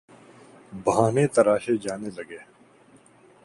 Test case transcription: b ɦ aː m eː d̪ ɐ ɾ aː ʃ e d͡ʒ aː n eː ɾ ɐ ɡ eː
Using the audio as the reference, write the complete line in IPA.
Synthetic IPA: b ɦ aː n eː t̪ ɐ ɾ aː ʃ e d͡ʒ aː n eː l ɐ ɡ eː

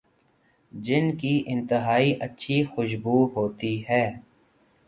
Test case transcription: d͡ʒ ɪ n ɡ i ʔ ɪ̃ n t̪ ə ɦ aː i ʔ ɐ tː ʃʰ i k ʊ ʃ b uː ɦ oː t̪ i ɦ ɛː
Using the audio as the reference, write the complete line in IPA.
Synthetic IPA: d͡ʒ ɪ n k i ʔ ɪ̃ n t̪ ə ɦ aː i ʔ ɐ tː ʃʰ i x ʊ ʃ b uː ɦ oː t̪ i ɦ ɛː

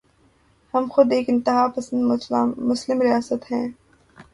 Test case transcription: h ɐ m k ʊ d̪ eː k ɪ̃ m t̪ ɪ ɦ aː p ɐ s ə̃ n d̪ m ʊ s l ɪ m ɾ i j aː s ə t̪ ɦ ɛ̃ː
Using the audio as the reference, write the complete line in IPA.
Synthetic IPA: h ɐ m x ʊ d̪ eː k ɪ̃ n t̪ ɪ ɦ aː p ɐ s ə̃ n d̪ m ʊ s l ɪ m ɾ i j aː s ə t̪ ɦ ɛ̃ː

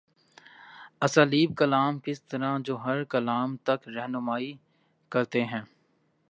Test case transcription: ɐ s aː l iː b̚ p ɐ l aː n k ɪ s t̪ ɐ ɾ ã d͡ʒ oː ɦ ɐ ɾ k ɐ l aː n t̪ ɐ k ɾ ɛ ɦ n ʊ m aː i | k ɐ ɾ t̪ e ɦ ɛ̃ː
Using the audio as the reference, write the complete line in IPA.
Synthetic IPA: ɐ s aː l iː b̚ k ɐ l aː m k ɪ s t̪ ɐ ɾ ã d͡ʒ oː ɦ ɐ ɾ k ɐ l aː m t̪ ɐ k ɾ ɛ ɦ n ʊ m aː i | k ɐ ɾ t̪ e ɦ ɛ̃ː

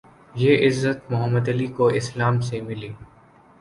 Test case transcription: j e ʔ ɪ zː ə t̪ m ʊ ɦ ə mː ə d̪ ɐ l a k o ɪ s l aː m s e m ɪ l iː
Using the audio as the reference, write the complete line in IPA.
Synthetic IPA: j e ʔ ɪ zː ə t̪ m ʊ ɦ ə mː ə d̪ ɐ l i k o ɪ s l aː m s e m ɪ l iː

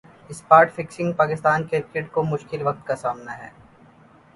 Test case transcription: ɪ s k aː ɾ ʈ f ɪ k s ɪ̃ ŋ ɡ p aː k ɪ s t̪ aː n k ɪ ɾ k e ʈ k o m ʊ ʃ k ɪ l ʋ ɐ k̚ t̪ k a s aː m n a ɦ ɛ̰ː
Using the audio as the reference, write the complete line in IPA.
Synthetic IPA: ɪ s p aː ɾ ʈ f ɪ k s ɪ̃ ŋ ɡ p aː k ɪ s t̪ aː n k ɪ ɾ k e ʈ k o m ʊ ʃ k ɪ l ʋ ɐ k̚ t̪ k a s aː m n a ɦ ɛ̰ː

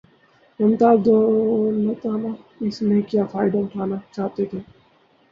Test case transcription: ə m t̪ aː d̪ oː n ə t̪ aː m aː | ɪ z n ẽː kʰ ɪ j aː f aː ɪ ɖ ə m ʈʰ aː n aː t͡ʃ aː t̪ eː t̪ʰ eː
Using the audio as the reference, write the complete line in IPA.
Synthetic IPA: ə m t̪ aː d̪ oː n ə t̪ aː n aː | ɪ s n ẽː k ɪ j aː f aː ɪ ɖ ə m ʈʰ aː n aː t͡ʃ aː t̪ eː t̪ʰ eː

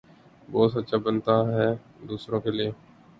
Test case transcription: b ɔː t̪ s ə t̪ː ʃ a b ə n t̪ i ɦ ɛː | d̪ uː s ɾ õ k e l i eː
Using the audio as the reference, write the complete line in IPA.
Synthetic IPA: b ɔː t̪ s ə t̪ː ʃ a b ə n t̪ a ɦ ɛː | d̪ uː s ɾ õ k e l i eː

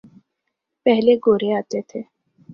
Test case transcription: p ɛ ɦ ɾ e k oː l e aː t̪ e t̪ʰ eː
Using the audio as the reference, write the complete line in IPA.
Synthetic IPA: p ɛ ɦ l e ɡ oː ɾ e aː t̪ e t̪ʰ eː

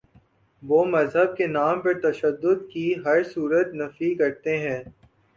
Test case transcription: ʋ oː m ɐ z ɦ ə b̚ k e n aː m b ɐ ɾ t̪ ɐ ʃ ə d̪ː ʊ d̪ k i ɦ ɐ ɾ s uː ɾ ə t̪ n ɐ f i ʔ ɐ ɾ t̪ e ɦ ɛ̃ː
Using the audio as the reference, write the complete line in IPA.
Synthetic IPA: ʋ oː m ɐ z ɦ ə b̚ k e n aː m p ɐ ɾ t̪ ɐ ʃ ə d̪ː ʊ d̪ k i ɦ ɐ ɾ s uː ɾ ə t̪ n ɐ f i k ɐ ɾ t̪ e ɦ ɛ̃ː

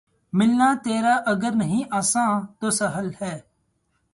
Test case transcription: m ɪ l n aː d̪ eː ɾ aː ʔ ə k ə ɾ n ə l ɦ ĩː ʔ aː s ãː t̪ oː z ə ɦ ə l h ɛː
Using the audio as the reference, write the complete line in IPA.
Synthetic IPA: m ɪ l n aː t̪ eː ɾ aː ʔ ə ɡ ə ɾ n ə ɦ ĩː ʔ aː s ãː t̪ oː s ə ɦ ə l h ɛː

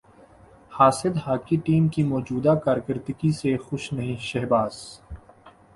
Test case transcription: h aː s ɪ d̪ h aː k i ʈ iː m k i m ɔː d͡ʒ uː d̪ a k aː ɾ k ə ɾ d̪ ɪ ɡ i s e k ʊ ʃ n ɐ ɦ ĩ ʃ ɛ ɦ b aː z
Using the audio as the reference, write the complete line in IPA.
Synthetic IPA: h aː s ɪ d̪ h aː k i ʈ iː m k i m ɔː d͡ʒ uː d̪ a k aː ɾ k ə ɾ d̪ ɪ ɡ i s e x ʊ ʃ n ɐ ɦ ĩ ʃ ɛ ɦ b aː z

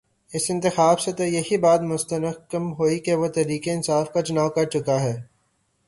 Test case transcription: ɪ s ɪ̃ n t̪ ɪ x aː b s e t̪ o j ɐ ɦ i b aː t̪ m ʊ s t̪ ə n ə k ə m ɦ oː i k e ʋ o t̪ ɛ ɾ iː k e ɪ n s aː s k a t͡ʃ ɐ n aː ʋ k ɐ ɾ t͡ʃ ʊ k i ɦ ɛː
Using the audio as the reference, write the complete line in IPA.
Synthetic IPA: ɪ s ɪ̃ n t̪ ɪ x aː b s e t̪ o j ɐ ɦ i b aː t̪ m ʊ s t̪ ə n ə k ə m ɦ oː i k e ʋ o t̪ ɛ ɾ iː k e ɪ n s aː f k a t͡ʃ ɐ n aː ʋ k ɐ ɾ t͡ʃ ʊ k a ɦ ɛː

